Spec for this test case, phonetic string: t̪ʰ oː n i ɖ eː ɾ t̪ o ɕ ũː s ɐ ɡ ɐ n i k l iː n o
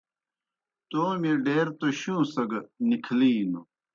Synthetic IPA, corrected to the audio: t̪ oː m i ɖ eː ɾ t̪ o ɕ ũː s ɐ ɡ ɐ n i kʰ l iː n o